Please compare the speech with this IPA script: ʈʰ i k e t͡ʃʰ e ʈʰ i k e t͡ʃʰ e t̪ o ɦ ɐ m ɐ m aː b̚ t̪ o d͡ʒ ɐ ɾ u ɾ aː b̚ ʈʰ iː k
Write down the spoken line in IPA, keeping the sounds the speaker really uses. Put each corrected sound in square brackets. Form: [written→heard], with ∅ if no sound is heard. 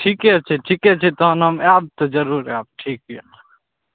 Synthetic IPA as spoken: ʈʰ i k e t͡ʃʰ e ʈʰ i k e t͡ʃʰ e t̪ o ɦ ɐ [m→n] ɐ m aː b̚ t̪ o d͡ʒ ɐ ɾ u ɾ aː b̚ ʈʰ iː k